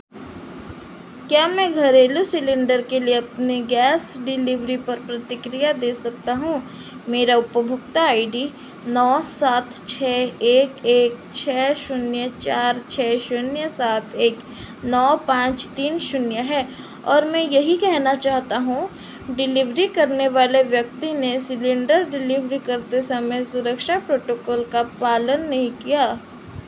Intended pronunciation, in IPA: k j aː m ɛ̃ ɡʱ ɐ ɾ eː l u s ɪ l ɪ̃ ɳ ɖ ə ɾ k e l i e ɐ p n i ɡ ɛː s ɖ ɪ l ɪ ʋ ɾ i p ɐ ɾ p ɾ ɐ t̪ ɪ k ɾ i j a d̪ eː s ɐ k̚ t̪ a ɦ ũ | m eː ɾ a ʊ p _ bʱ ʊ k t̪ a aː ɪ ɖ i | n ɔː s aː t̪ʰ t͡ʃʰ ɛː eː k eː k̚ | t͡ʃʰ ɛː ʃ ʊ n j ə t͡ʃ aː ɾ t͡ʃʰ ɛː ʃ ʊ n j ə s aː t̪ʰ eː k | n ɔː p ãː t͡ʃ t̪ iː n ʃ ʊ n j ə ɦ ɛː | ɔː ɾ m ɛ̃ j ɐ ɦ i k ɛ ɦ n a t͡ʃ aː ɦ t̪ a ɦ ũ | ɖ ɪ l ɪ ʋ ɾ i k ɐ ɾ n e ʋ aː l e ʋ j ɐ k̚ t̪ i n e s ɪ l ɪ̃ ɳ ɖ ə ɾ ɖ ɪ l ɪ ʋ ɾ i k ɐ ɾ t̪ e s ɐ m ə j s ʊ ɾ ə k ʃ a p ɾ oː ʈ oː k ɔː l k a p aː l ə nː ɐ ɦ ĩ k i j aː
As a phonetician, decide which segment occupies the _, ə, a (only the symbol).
ə